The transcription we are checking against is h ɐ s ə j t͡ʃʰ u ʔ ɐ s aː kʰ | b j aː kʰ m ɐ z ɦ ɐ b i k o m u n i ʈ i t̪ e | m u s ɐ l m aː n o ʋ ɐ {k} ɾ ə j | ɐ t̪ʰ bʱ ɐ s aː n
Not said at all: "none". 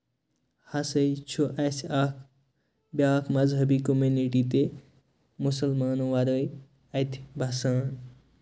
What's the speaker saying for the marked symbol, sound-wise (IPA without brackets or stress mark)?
none